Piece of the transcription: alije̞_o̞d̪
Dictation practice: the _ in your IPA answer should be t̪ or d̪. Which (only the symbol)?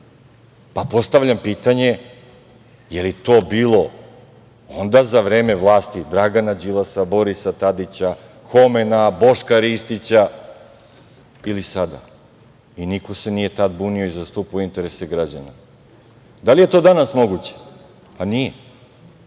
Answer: t̪